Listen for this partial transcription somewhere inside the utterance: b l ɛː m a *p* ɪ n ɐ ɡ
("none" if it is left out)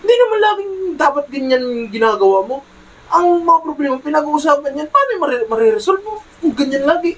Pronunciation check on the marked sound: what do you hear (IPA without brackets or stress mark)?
p